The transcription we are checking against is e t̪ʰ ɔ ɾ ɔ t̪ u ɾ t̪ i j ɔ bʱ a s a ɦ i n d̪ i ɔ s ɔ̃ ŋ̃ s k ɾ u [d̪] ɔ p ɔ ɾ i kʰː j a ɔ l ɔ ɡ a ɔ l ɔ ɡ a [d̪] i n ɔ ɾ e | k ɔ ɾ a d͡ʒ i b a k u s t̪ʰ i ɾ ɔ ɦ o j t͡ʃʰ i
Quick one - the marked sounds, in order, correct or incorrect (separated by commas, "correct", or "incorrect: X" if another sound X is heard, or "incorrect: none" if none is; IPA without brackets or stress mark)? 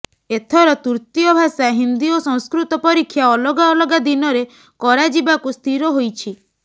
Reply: incorrect: t̪, correct